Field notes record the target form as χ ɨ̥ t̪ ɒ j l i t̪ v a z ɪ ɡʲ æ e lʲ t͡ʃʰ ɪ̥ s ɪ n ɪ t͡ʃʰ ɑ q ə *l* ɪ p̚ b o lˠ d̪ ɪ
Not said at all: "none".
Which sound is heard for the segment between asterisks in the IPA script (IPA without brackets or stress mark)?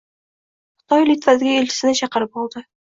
ɾ